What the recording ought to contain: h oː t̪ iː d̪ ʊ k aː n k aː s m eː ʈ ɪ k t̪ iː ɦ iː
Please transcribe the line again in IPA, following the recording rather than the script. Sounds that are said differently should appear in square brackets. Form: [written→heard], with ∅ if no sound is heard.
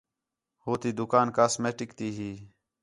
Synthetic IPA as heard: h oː t̪ iː d̪ ʊ k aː n k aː s m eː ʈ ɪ k t̪ iː ɦ iː

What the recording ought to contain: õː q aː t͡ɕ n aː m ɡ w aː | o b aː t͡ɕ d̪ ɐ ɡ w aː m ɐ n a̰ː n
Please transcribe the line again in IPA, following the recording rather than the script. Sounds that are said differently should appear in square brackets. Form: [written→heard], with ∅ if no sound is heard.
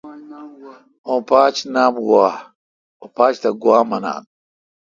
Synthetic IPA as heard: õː [q→p] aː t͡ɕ n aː m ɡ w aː | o [b→p] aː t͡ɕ [d̪→t̪] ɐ ɡ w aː m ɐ n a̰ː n

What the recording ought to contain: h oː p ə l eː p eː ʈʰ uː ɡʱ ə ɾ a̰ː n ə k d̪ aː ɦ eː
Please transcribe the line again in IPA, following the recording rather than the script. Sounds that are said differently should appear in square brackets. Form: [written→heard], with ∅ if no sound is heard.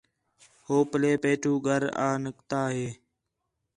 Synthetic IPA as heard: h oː p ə l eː p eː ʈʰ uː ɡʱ ə ɾ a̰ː n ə k [d̪→t̪] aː ɦ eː

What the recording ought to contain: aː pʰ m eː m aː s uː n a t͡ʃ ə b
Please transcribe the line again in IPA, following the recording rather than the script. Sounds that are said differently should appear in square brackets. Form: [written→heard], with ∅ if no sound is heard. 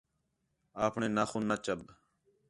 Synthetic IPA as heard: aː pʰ [m→ɳ] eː [m→n] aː [s→x] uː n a t͡ʃ ə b

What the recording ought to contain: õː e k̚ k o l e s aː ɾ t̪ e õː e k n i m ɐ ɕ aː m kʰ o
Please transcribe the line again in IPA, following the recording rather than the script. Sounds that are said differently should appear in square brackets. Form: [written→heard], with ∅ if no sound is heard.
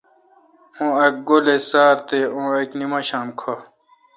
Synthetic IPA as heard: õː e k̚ [k→ɡ] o l e s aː ɾ t̪ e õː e k n i m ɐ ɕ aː m kʰ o

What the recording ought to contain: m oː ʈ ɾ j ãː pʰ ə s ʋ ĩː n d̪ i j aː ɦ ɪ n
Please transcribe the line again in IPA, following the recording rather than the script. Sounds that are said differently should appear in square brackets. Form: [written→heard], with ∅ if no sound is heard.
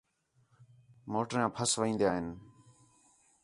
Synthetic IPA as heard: m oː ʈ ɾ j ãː pʰ ə s ʋ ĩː n d̪ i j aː ɦ ɪ n

